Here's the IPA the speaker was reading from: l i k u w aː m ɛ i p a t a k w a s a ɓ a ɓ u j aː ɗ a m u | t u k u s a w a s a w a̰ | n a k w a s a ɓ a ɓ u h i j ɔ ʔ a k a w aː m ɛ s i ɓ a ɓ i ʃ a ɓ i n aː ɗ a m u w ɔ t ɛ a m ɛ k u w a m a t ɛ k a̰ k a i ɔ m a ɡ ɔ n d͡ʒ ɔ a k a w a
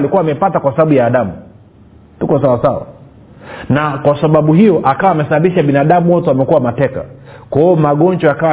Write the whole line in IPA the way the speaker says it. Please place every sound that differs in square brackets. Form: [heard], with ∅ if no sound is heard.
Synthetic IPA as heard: l i k u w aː m ɛ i p a t a k w a s a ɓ a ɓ u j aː ɗ a m u | t u k [ɔ] s a w a s a w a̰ | n a k w a s a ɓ a ɓ u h i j ɔ ʔ a k a w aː m ɛ s [a] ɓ a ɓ i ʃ a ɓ i n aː ɗ a m u w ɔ t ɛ a m ɛ k u w a m a t ɛ k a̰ k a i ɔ m a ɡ ɔ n d͡ʒ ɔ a k a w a